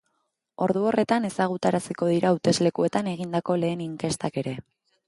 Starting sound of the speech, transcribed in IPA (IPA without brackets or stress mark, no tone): o̞